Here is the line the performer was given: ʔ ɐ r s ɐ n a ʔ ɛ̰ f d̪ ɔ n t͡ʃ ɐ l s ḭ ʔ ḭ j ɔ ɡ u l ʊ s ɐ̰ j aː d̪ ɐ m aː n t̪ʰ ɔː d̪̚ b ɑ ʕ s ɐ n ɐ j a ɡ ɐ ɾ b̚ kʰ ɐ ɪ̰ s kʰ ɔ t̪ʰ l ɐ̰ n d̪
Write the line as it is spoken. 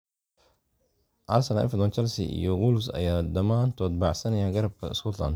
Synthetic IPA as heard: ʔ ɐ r s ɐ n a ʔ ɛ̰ f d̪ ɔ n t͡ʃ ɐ l s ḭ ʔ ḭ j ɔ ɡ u l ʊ s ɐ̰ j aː d̪ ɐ m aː n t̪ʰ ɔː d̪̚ b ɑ ʕ s ɐ n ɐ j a ɡ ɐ ɾ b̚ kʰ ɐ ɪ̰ s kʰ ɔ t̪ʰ l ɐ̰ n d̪